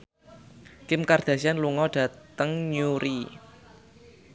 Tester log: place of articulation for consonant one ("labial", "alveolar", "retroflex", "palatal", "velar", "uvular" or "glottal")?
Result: velar